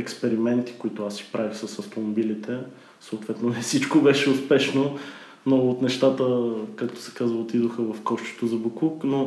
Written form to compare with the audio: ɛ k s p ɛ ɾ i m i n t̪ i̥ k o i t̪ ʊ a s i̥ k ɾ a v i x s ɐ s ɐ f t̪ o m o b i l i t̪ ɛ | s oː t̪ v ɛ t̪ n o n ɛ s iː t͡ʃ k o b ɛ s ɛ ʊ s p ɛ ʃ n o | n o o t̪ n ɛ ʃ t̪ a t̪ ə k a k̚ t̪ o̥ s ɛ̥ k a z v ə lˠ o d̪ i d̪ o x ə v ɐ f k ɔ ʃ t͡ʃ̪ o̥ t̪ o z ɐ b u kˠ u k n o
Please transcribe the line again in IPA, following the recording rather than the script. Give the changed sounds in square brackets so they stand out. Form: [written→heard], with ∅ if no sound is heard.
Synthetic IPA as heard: ɛ k s p ɛ ɾ i m [i→ɛ] n t̪ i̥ k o i t̪ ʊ a s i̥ [k→p] ɾ a v i x s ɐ s ɐ f t̪ o m o b i l i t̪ ɛ | s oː t̪ v ɛ t̪ n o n ɛ s [iː→i] t͡ʃ k o b ɛ [s→ʃ] ɛ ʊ s p ɛ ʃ n o | n o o t̪ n ɛ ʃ t̪ a t̪ ə k a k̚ t̪ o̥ s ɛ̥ k a z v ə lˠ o [d̪→t̪] i d̪ o x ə v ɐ f k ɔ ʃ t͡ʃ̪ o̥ t̪ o z ɐ b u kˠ u k n o